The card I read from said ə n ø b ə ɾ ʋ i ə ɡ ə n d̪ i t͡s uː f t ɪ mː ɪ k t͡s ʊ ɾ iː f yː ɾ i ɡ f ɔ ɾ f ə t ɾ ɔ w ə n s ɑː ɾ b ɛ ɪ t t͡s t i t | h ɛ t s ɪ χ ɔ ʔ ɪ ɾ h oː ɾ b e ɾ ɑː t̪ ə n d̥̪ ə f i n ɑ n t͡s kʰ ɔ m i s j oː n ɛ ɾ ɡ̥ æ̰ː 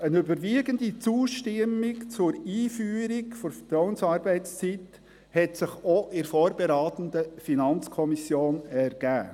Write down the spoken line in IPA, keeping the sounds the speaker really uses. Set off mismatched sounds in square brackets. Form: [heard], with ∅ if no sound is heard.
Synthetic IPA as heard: ə n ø b ə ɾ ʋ i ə ɡ ə n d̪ i t͡s uː [ʃ] t ɪ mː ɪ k t͡s ʊ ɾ iː f yː ɾ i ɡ f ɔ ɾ f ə t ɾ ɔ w ə n s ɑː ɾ b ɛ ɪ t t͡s [t͡s] i t | h ɛ t s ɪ χ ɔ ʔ ɪ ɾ [f] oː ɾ b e ɾ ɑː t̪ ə n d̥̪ ə f i n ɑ n t͡s kʰ ɔ m i s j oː n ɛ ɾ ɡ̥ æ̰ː